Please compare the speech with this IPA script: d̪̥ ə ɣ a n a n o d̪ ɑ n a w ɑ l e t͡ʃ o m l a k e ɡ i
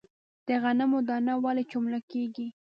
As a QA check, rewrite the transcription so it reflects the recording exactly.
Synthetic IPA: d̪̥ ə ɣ a n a m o d̪ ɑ n a w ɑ l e t͡ʃ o m l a k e ɡ i